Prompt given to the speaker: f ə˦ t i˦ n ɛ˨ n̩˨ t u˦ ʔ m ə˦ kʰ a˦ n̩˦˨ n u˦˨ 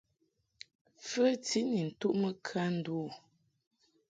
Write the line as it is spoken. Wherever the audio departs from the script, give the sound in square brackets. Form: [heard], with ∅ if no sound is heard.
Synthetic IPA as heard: f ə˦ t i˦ n [i˨] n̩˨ t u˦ ʔ m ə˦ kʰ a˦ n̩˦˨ [d] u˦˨